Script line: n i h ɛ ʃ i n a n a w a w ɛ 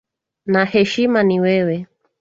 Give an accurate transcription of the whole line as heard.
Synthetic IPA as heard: n a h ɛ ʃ i m a n i w ɛ w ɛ